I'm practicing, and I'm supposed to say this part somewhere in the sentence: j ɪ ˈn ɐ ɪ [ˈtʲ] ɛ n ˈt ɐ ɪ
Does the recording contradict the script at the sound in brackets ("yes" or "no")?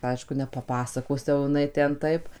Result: no